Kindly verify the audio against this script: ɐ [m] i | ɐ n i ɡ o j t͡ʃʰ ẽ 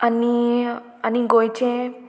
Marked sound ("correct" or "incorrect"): incorrect